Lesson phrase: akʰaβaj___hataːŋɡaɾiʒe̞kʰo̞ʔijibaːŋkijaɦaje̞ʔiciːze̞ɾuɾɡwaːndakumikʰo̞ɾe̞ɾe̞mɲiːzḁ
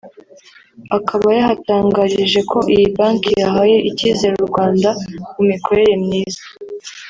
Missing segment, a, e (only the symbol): a